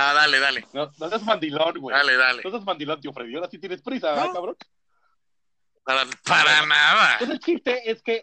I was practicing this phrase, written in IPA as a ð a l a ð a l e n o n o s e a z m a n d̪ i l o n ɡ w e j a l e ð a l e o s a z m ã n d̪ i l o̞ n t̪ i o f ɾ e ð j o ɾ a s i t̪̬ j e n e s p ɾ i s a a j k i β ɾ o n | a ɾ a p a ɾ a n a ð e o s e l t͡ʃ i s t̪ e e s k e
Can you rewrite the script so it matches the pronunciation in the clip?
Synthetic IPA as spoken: a ð a l e ð a l e n o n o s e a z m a n d̪ i l o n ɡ w e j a l e ð a l e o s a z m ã n d̪ i l o̞ n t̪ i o f ɾ e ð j o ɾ a s i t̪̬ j e n e s p ɾ i s a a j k a β ɾ o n | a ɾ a p a ɾ a n a ð a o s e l t͡ʃ i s t̪ e e s k e